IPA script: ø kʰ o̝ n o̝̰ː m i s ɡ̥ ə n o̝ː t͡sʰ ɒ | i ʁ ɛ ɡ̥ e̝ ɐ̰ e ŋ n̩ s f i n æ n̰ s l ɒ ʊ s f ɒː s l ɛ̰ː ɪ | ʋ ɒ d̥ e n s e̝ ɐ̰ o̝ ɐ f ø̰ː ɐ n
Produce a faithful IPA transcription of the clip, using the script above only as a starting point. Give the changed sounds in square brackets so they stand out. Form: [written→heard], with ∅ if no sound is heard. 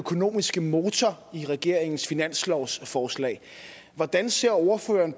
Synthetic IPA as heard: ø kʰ o̝ n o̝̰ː m i s ɡ̥ ə [n→m] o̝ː t͡sʰ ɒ | i ʁ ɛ ɡ̥ e̝ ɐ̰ e ŋ n̩ s f i n æ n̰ s l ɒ ʊ s f ɒː s l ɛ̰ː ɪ | ʋ ɒ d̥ [e→æ] n s e̝ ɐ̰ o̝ ɐ f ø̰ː ɐ n